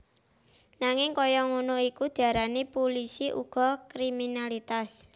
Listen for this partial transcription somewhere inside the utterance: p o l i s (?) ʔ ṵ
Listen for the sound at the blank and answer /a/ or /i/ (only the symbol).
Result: i